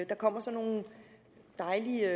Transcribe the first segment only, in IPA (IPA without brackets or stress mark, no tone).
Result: d̥